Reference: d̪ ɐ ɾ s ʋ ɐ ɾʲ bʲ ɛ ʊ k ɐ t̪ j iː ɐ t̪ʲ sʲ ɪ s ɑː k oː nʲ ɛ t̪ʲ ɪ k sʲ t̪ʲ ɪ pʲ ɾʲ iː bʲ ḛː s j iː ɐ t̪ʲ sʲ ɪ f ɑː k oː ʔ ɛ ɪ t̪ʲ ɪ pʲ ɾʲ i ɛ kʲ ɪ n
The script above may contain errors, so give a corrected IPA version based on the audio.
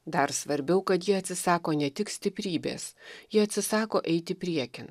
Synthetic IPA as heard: d̪ ɐ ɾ s ʋ ɐ ɾʲ bʲ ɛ ʊ k ɐ t̪ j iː ɐ t̪ʲ sʲ ɪ s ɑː k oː nʲ ɛ t̪ʲ ɪ k sʲ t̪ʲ ɪ pʲ ɾʲ iː bʲ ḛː s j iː ɐ t̪ʲ sʲ ɪ s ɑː k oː ʔ ɛ ɪ t̪ʲ ɪ pʲ ɾʲ i ɛ kʲ ɪ n